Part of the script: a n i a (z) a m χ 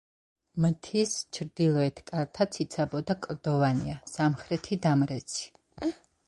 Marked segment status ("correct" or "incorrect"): incorrect